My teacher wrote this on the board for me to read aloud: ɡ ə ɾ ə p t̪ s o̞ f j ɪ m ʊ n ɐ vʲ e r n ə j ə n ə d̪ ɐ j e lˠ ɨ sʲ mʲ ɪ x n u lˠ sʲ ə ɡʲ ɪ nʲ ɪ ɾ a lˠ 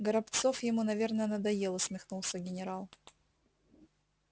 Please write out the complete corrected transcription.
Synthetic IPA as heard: ɡ ə ɾ ɐ p t̪ s o̞ f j ɪ m u n ɐ vʲ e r n ə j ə n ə d̪ ɐ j e lˠ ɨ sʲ mʲ ɪ x n u lˠ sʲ ə ɡʲ ɪ nʲ ɪ ɾ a lˠ